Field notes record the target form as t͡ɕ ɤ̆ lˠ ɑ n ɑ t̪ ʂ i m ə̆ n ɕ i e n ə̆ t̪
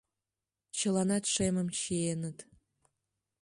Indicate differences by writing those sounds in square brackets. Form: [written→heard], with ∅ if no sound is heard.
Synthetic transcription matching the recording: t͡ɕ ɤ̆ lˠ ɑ n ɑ t̪ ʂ [i→e] m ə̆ [n→m] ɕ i e n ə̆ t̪